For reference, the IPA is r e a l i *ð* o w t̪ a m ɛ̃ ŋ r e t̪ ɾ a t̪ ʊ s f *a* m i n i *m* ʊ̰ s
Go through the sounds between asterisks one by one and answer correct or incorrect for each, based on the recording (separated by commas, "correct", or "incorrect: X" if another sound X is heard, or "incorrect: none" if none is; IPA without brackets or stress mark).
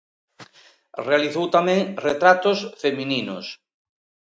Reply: incorrect: θ, incorrect: e, incorrect: n